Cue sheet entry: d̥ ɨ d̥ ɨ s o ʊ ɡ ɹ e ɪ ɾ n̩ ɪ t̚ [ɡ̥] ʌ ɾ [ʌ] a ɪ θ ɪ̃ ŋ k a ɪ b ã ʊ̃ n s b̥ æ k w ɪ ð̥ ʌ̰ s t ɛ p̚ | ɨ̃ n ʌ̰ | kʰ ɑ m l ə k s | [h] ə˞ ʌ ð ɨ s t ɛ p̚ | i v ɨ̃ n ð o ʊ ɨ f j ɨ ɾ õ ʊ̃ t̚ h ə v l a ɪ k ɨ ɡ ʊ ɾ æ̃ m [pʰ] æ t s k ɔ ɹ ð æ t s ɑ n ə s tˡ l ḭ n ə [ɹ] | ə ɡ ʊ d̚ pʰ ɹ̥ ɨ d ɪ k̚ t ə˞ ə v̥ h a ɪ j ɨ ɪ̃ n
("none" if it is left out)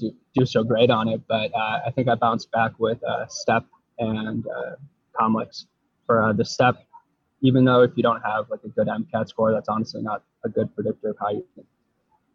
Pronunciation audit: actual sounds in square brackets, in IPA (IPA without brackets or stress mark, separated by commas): b̥, ʌ, f, kʰ, ɾ